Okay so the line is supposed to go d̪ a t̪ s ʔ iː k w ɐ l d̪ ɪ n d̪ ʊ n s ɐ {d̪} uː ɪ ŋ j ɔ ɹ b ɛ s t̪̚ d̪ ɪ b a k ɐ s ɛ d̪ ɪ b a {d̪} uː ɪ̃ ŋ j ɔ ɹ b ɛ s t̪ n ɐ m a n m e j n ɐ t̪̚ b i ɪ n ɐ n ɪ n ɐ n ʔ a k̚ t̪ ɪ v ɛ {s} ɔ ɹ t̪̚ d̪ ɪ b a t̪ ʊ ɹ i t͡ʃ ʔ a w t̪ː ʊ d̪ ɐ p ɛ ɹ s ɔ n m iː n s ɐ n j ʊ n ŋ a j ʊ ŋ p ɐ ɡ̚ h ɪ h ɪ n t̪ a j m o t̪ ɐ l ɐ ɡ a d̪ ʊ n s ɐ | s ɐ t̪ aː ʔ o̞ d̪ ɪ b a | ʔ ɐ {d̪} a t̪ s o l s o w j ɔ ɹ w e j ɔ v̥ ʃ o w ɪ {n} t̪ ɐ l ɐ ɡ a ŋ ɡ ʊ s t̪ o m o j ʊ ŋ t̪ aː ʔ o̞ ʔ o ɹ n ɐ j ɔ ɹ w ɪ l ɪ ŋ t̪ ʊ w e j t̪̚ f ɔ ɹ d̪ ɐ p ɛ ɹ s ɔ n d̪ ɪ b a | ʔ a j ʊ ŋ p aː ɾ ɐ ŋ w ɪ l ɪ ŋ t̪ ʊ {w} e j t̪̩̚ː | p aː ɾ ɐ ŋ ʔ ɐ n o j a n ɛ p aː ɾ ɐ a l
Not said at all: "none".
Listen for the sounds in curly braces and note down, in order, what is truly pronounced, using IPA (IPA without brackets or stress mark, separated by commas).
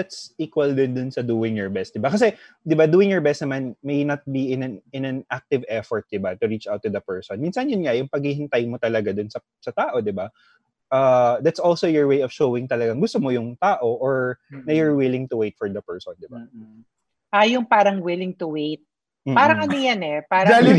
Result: d̪, d̪, f, d̪, ŋ, w